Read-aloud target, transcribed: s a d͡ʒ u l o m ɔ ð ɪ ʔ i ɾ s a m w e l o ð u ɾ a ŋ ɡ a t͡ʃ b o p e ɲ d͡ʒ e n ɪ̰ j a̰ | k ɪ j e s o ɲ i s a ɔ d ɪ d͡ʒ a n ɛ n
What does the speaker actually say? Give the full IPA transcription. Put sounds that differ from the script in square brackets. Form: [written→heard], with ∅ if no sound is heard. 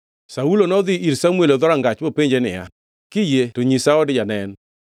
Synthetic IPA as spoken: s a [d͡ʒ→∅] u l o [m→n] ɔ ð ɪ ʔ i ɾ s a m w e l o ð [u→ɔ] ɾ a ŋ ɡ a t͡ʃ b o p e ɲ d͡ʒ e n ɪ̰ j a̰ | k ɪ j e [s→t] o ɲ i s a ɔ d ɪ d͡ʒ a n ɛ n